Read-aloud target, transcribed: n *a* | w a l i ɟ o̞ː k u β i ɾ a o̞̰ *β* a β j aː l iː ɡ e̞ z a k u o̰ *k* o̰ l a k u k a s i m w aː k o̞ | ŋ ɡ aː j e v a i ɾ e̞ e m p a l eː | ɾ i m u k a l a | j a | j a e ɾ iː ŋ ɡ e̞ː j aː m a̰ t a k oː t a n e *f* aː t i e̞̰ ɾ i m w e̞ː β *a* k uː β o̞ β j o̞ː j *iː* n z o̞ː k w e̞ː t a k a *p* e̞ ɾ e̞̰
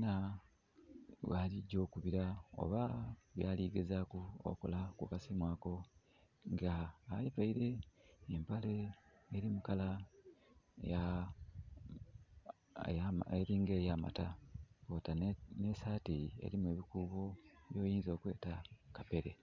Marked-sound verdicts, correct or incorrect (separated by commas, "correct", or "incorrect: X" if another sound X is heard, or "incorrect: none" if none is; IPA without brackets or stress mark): correct, correct, correct, incorrect: s, incorrect: i, correct, correct